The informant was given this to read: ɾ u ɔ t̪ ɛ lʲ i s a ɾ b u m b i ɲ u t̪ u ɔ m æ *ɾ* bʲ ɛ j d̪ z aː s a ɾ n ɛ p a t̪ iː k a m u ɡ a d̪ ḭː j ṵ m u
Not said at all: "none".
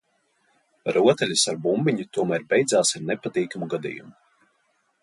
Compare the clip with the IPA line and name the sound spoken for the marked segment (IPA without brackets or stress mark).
ɾ